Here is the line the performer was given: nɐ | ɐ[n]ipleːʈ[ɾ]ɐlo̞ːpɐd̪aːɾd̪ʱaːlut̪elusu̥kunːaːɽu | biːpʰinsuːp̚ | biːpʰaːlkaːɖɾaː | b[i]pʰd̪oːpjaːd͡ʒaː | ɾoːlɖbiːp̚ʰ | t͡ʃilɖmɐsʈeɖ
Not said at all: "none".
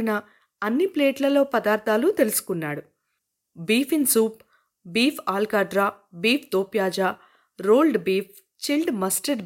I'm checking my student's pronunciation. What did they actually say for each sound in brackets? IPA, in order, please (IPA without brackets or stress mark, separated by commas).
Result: nː, l, iː